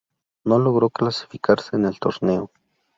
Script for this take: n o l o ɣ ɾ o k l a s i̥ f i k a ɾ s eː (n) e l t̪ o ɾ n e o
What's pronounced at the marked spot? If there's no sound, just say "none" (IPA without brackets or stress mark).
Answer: n